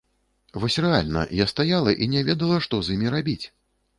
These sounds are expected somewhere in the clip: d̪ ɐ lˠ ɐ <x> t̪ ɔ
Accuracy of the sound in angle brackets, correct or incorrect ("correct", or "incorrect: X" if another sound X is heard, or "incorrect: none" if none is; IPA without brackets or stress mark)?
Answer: incorrect: ʂ